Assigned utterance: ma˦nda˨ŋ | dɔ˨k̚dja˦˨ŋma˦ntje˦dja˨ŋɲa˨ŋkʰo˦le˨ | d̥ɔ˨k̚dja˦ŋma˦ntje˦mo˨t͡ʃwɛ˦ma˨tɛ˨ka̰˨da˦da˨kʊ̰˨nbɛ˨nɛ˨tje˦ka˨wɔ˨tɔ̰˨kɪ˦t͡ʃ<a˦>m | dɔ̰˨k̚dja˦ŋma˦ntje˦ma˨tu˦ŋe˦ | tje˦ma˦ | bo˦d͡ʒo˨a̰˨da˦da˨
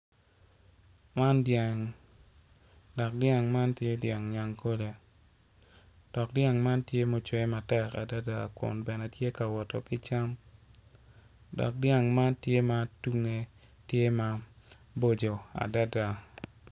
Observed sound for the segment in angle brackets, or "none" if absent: a˦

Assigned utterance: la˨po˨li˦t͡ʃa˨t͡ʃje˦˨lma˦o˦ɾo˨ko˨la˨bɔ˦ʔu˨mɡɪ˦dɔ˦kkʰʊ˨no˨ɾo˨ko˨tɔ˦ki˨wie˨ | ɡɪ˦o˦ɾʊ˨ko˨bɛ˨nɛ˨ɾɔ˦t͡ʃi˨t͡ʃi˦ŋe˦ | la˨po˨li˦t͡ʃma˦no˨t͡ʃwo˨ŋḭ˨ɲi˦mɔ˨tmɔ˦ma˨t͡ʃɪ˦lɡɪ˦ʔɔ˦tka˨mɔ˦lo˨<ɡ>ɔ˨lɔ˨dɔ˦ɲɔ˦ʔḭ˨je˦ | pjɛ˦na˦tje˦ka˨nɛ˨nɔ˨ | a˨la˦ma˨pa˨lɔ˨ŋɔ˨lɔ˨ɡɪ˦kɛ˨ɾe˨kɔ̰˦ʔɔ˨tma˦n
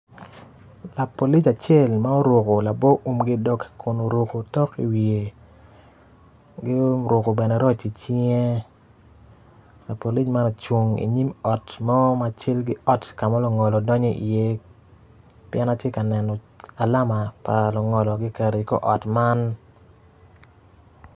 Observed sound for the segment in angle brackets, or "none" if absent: ŋ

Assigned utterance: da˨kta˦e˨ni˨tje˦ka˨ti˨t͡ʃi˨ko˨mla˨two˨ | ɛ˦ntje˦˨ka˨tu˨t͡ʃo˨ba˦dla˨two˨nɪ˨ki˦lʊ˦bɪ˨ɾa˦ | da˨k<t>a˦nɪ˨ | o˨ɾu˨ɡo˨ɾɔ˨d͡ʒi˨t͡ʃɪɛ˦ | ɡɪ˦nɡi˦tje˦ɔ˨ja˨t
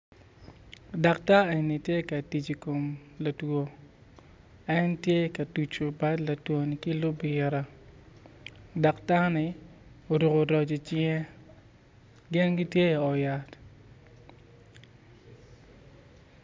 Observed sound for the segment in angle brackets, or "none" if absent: t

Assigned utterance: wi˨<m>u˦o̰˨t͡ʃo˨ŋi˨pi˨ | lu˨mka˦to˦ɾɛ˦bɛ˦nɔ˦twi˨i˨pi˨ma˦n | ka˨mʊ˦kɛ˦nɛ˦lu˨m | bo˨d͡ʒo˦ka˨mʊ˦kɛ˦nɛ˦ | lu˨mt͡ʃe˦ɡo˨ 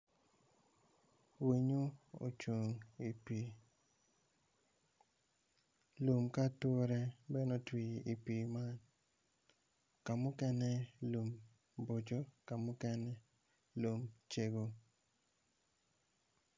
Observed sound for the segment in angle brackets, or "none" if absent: ɲ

